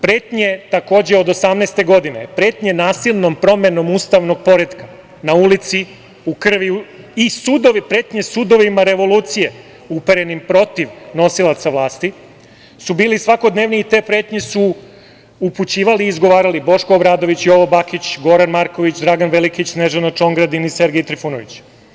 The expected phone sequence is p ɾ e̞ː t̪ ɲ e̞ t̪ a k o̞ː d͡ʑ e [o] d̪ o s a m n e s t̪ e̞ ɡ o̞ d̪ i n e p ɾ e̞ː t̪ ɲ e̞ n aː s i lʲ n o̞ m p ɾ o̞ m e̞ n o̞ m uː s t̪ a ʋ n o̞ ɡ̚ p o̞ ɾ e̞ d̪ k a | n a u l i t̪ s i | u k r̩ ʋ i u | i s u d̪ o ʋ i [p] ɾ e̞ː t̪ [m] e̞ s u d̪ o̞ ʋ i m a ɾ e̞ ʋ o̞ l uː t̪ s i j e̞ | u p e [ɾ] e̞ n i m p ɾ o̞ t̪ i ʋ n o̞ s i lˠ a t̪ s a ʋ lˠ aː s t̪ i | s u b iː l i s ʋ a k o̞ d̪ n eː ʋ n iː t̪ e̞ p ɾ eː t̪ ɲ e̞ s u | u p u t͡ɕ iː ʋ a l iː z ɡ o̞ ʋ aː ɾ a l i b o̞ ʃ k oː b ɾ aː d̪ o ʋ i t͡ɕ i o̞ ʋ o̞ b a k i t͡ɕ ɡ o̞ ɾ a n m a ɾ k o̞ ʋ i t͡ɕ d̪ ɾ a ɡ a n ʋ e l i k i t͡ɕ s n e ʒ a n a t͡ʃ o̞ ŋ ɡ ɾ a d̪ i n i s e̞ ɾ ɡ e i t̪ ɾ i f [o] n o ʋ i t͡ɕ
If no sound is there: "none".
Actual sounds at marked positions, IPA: o, p, ɲ, ɾ, u

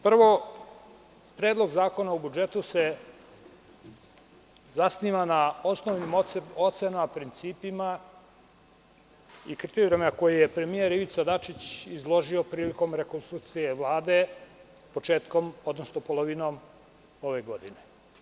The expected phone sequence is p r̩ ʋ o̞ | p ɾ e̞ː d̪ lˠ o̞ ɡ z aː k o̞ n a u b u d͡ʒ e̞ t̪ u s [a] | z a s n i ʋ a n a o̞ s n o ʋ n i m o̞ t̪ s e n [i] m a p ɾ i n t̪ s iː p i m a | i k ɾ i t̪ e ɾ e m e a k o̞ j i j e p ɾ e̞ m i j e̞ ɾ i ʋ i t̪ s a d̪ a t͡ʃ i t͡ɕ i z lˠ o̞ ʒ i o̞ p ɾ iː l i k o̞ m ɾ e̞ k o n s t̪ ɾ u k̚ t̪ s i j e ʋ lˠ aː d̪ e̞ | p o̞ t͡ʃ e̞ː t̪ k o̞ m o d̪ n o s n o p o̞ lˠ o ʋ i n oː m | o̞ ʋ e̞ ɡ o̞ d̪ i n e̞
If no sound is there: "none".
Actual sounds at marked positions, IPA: e, a

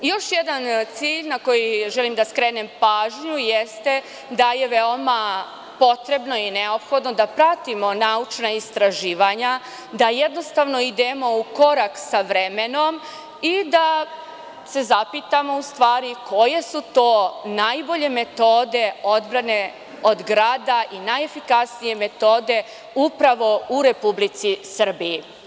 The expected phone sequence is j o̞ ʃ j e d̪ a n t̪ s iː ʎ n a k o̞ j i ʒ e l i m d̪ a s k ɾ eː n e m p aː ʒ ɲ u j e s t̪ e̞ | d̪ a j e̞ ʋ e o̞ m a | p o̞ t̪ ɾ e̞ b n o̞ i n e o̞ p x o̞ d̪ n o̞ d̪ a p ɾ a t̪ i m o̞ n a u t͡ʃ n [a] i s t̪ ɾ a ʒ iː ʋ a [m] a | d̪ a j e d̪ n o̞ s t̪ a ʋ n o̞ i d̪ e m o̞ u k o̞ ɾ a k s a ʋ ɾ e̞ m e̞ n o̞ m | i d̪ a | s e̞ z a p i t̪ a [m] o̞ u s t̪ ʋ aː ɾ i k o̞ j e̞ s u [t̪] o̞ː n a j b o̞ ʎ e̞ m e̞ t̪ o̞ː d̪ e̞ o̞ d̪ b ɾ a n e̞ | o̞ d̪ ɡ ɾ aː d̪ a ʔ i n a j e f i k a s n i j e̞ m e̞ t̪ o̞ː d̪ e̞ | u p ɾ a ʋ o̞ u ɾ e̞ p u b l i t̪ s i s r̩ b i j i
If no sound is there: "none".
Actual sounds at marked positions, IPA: a, ɲ, m, t̪

